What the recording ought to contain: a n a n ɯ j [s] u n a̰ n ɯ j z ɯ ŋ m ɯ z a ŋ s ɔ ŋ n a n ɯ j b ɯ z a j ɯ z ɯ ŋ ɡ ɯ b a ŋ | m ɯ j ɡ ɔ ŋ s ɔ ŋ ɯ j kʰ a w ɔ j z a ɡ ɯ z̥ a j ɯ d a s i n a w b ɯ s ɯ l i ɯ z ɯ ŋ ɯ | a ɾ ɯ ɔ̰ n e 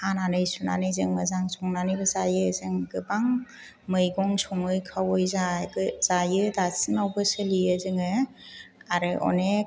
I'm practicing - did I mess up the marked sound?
no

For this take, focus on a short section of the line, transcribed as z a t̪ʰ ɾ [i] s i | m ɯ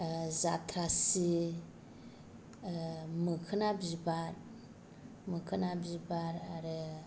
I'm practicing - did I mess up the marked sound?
yes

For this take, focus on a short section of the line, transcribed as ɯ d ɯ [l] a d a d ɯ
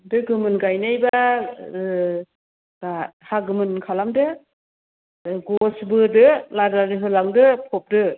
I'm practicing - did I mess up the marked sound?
no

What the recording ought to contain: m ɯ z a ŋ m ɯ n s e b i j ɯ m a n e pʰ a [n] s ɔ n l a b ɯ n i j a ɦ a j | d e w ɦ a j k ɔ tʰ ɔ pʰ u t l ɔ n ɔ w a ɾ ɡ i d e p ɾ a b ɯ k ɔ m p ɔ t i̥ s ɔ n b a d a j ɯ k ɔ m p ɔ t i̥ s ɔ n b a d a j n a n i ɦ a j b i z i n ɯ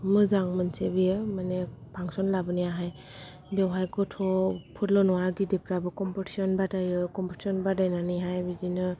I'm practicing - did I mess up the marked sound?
yes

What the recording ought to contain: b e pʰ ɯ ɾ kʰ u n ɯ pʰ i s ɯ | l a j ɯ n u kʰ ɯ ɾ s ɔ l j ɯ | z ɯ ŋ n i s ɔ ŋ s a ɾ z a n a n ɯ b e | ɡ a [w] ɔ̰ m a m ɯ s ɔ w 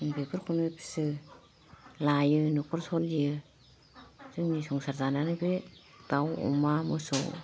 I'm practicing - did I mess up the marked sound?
no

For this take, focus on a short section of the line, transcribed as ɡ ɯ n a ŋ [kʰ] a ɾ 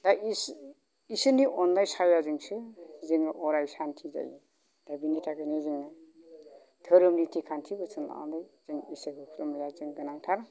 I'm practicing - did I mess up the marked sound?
yes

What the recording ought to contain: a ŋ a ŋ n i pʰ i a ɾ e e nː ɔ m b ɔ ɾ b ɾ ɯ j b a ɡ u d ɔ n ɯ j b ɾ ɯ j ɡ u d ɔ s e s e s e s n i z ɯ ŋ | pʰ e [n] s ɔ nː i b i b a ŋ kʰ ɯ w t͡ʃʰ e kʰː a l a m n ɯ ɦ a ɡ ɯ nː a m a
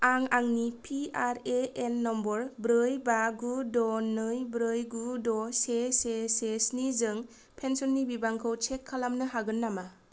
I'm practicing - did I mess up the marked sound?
no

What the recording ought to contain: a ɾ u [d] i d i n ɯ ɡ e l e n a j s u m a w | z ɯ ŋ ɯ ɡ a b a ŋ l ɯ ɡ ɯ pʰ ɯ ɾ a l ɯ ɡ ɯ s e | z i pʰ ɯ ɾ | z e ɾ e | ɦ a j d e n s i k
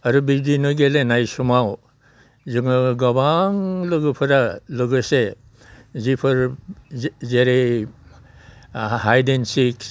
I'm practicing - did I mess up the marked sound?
yes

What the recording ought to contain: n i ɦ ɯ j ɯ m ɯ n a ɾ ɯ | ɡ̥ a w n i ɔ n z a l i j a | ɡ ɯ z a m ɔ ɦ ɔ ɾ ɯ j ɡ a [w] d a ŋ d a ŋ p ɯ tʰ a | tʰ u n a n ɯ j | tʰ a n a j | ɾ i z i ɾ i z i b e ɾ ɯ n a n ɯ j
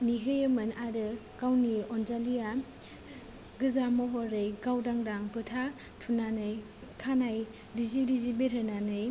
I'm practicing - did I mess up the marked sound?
no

